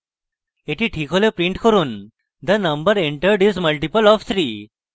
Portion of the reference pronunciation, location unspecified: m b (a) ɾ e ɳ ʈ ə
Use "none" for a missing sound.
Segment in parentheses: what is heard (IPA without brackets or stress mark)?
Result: ə